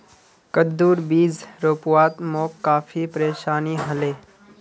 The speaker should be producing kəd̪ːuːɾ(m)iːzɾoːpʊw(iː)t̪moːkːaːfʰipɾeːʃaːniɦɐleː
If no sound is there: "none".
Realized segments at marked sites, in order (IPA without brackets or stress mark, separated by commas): b, aː